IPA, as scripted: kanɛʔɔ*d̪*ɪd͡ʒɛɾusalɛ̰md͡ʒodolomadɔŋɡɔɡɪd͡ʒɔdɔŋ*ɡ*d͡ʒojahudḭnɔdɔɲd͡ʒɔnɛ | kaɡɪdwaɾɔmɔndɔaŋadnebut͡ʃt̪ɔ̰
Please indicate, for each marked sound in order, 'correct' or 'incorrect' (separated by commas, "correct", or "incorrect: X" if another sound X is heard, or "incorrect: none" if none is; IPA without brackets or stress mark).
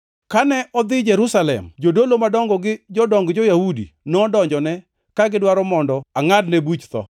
correct, correct